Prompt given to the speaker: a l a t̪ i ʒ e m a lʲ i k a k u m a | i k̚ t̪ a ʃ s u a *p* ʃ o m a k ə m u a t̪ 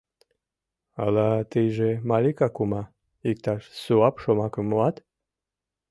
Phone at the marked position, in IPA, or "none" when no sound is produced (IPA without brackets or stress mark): p